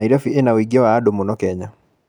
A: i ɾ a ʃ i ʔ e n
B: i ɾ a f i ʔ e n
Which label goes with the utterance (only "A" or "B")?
B